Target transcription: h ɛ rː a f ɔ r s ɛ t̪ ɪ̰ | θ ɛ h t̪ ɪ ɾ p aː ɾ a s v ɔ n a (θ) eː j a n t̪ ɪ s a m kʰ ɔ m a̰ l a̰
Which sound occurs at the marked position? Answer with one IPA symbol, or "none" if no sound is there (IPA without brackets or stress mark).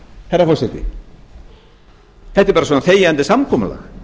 θ